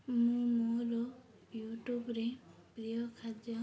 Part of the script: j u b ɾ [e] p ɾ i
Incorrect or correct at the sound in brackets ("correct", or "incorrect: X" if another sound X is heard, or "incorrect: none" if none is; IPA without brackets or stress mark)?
correct